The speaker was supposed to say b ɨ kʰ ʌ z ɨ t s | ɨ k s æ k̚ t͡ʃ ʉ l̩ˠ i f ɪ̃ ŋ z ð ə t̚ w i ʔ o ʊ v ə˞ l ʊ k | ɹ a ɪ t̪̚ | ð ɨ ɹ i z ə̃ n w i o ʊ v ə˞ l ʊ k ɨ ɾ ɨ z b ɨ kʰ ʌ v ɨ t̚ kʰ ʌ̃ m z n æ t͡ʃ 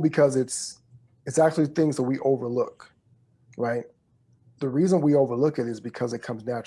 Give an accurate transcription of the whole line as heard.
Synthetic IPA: b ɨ kʰ ʌ z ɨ t s | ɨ t s æ k̚ t͡ʃ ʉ l̩ˠ i θ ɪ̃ ŋ z ð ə t̚ w i ʔ o ʊ v ə˞ l ʊ k | ɹ a ɪ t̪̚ | ð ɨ ɹ i z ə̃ n w i o ʊ v ə˞ l ʊ k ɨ ɾ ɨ z b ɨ kʰ ʌ z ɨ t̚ kʰ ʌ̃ m z n æ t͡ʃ